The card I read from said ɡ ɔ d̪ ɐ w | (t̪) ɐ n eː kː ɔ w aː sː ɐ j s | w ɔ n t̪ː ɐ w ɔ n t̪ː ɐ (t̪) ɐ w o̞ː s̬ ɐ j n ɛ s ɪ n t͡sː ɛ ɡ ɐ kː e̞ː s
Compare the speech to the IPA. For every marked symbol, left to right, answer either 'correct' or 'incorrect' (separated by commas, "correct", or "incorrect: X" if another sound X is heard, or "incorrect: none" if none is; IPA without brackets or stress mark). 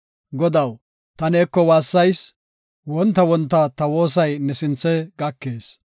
correct, correct